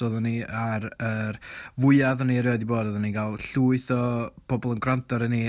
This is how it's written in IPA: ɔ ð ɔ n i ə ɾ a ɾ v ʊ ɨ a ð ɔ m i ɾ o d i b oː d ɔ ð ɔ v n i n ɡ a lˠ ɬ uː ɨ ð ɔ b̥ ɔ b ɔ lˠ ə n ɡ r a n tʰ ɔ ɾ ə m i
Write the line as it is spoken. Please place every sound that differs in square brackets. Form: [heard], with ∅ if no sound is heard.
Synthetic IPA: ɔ ð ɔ n i [a] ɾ [ə] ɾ v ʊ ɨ a ð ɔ [n] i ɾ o d i b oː d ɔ ð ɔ [∅] n i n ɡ a lˠ ɬ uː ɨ [θ] ɔ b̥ ɔ b ɔ lˠ ə n ɡ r a n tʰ ɔ ɾ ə [n] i